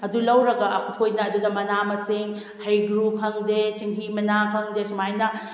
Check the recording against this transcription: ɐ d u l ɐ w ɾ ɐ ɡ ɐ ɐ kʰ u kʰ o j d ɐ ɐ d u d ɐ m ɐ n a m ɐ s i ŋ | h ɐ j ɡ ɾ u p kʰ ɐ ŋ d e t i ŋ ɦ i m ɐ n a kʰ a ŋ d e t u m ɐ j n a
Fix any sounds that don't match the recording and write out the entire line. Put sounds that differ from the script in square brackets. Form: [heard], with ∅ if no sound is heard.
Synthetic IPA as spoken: ɐ d u l ɐ w ɾ ɐ ɡ ɐ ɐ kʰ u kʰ o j [n] ɐ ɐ d u d ɐ m ɐ n a m ɐ s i ŋ | h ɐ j ɡ ɾ u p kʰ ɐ ŋ d e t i ŋ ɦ i m ɐ n a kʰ [ɐ] ŋ d e [s] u m [a] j n [ɐ]